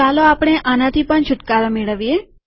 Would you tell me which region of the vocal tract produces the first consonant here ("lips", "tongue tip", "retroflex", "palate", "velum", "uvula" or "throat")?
tongue tip